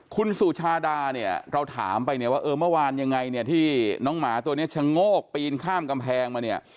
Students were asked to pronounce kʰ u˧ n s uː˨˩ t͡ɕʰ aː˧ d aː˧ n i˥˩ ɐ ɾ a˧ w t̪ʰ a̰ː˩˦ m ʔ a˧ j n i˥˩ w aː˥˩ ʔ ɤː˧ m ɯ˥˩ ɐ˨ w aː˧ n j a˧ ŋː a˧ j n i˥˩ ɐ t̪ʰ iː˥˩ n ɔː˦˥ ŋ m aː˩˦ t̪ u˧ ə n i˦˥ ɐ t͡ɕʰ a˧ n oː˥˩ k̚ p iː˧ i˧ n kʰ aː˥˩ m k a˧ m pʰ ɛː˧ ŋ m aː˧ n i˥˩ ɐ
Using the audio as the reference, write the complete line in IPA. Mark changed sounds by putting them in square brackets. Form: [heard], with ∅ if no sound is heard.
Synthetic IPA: kʰ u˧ n s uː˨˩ t͡ɕʰ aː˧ d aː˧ n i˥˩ ɐ ɾ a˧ w t̪ʰ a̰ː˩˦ m [p] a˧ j n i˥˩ w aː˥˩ ʔ ɤː˧ m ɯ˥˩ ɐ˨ w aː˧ n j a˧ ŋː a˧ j n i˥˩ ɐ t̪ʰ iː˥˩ n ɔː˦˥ ŋ m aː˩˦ t̪ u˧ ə n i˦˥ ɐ t͡ɕʰ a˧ [ŋ] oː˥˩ k̚ p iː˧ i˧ n kʰ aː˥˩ m k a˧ m pʰ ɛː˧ ŋ m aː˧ n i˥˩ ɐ